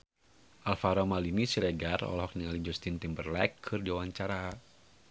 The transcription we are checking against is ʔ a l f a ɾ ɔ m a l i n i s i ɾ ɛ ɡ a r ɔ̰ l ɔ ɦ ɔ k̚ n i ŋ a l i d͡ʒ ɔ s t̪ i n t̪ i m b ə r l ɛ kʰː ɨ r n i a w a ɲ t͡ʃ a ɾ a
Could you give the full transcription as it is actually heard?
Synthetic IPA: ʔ a l f a ɾ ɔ m a l i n i s i ɾ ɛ ɡ a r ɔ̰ l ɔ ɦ ɔ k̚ n i ŋ a l i d͡ʒ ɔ s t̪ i n t̪ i m b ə r l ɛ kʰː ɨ r d i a w a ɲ t͡ʃ a ɾ a